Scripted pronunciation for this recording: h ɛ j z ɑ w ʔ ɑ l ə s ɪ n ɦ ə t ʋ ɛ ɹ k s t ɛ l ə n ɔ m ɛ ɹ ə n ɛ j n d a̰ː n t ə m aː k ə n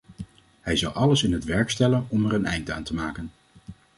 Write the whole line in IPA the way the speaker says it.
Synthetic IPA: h ɛ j z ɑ w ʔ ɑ l ə s ɪ n ɦ ə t ʋ ɛ ɹ k s t ɛ l ə n ɔ m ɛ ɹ ə n ɛ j n d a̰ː n t ə m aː k ə n